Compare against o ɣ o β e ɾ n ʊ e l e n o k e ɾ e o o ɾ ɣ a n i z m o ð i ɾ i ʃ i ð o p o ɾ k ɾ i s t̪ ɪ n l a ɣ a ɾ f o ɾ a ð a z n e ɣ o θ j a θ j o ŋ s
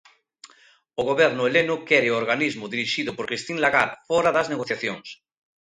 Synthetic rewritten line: o ɣ o β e ɾ n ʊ e l e n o k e ɾ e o o ɾ ɣ a n i z m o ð i ɾ i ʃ i ð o p o ɾ k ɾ i s t̪ i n l a ɣ a ɾ f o ɾ a ð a z n e ɣ o θ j a θ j o ŋ s